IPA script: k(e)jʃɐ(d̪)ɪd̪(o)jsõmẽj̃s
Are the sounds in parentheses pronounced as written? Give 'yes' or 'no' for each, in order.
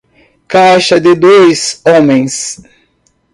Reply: no, yes, yes

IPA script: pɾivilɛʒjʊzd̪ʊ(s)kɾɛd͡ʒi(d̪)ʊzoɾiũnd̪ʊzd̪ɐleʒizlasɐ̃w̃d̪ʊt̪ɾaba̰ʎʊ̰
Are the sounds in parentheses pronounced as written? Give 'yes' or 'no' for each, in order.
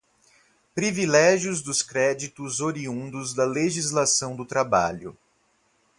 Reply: yes, no

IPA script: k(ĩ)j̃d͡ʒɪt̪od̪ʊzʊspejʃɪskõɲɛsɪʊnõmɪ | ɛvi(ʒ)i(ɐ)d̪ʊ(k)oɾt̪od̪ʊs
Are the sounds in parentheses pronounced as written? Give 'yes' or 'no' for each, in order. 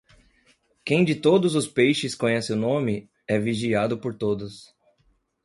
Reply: no, yes, no, no

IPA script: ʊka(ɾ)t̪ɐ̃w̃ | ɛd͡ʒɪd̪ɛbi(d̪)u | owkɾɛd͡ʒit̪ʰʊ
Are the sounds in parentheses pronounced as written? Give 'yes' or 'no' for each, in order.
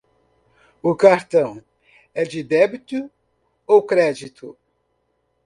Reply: yes, no

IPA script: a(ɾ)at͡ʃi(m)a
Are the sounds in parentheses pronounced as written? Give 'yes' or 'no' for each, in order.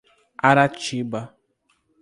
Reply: yes, no

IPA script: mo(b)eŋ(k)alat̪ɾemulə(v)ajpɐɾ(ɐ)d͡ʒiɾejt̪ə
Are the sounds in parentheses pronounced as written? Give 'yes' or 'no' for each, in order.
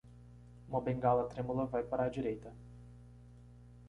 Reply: yes, no, yes, no

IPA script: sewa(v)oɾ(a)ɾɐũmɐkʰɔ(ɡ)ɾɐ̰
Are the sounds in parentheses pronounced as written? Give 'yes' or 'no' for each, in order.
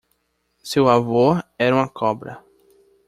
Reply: yes, no, no

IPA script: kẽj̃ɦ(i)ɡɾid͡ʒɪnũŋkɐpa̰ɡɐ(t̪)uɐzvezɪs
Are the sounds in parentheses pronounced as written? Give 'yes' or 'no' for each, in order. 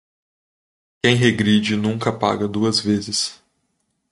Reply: no, no

